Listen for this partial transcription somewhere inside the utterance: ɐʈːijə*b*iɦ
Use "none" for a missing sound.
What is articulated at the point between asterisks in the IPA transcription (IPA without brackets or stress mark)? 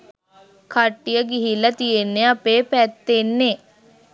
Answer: ɡ